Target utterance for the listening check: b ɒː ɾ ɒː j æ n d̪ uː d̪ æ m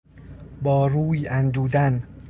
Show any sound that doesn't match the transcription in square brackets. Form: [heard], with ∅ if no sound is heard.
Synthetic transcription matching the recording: b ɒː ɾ [uː] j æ n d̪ uː d̪ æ [n]